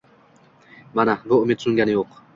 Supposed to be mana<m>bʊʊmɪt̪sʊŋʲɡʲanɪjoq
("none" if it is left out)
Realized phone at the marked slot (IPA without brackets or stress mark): none